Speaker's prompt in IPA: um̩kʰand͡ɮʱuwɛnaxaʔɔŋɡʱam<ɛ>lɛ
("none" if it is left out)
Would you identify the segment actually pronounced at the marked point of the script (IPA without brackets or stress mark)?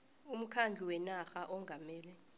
ɛː